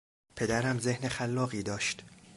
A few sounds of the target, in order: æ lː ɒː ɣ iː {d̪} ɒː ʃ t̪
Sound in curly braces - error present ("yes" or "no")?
no